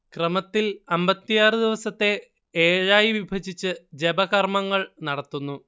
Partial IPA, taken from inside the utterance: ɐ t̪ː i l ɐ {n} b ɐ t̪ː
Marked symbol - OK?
no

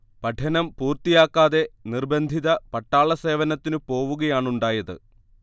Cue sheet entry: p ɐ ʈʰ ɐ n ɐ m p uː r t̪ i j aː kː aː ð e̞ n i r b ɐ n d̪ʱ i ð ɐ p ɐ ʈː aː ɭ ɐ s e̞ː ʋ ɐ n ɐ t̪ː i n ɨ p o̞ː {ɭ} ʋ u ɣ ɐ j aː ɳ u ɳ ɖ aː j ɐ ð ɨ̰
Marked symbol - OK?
no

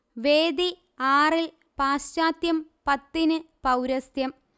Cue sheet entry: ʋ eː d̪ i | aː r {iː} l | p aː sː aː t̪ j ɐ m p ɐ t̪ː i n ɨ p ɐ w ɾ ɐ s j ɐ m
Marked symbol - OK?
no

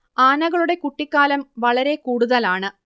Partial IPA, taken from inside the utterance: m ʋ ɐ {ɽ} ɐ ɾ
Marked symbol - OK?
no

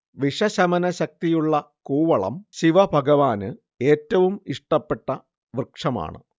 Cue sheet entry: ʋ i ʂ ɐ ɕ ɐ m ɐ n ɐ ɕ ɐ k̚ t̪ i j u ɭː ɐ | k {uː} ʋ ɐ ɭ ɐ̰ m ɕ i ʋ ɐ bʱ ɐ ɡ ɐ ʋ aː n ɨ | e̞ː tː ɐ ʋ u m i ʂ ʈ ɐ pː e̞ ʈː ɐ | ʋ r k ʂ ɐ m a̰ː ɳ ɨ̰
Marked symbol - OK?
yes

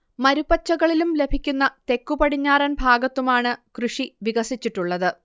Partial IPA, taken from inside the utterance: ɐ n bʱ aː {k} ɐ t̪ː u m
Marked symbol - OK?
no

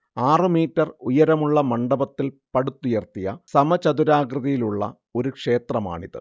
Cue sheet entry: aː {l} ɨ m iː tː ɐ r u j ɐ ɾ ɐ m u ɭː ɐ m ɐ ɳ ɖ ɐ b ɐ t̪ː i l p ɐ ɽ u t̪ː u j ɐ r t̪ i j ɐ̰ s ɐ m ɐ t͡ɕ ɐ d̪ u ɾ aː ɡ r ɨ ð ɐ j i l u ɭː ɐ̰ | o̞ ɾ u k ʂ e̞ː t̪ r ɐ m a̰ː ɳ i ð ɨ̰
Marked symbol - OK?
no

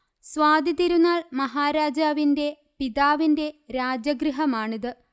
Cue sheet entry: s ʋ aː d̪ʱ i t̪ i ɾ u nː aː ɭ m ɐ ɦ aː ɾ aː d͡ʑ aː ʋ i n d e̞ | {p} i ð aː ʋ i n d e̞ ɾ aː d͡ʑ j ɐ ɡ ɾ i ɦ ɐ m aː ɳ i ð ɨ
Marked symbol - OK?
yes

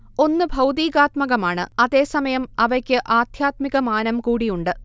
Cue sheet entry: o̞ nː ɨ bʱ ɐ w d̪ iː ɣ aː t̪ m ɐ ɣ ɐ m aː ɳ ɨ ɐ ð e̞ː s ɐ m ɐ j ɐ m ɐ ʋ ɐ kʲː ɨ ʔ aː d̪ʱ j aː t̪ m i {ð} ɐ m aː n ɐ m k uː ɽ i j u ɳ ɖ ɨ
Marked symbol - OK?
no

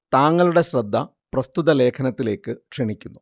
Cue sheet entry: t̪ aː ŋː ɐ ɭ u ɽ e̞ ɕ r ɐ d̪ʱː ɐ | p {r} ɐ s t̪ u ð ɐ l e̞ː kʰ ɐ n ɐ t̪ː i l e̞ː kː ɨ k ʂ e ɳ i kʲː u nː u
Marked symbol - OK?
yes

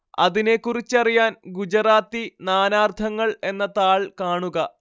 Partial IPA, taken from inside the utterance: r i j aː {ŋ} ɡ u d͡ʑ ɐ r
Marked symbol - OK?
no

